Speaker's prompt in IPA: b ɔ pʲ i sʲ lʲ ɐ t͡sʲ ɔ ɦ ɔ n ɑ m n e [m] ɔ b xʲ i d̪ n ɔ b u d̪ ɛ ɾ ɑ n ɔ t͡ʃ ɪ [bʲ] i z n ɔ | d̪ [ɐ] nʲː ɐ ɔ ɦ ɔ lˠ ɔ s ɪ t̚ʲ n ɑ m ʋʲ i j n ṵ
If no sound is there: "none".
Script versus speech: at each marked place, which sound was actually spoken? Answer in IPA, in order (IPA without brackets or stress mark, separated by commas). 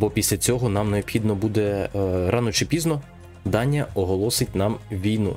none, pʲ, ɑ